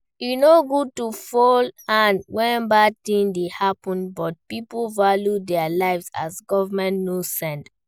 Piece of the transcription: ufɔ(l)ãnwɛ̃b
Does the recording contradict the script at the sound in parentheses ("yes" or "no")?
no